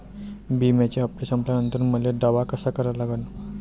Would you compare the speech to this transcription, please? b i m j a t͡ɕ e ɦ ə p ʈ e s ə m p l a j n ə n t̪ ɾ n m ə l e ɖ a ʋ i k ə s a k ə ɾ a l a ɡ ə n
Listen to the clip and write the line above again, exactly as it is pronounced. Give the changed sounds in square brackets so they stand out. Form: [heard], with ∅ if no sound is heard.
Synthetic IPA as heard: b i m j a t͡ɕ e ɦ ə p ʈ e s ə m p l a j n ə n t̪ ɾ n m ə l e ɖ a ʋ [a] k ə s a k ə ɾ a l a ɡ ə n